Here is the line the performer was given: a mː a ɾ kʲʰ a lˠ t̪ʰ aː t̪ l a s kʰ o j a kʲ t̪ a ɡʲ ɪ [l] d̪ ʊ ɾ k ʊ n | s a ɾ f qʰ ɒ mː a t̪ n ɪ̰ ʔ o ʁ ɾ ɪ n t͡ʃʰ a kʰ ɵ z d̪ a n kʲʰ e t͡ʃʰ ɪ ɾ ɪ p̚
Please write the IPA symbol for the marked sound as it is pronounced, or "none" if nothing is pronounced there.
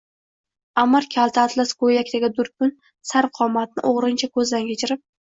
none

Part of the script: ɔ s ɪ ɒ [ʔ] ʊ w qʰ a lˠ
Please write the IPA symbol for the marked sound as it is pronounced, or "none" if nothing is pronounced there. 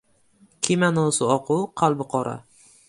q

